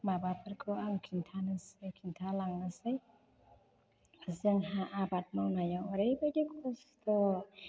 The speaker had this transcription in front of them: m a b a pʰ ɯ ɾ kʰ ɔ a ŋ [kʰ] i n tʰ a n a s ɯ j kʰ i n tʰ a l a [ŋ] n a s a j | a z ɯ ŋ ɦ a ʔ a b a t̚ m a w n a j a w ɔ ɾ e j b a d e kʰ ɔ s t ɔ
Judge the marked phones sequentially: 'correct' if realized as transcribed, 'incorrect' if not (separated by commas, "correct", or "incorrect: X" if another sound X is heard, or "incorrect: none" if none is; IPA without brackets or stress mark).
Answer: correct, correct